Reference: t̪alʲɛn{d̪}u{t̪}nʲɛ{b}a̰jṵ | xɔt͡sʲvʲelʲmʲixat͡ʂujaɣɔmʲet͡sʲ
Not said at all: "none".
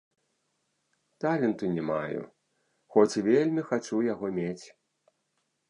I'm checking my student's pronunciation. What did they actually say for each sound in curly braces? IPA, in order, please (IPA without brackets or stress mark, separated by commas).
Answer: t̪, none, m